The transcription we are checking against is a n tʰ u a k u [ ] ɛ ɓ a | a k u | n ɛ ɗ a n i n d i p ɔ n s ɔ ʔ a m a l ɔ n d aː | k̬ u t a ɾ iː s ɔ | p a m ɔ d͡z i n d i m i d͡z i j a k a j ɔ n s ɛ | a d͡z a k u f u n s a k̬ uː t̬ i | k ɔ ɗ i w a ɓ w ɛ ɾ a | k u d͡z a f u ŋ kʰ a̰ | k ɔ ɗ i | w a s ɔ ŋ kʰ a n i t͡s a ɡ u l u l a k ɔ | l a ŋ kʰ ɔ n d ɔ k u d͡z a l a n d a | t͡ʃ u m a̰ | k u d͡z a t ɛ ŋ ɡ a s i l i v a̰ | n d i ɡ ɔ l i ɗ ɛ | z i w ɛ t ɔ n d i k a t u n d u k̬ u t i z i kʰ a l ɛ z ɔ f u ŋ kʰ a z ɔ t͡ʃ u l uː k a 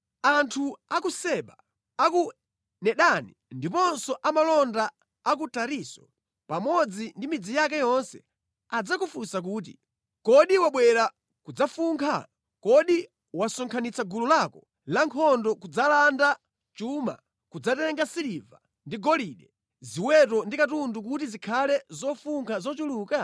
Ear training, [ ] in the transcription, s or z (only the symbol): s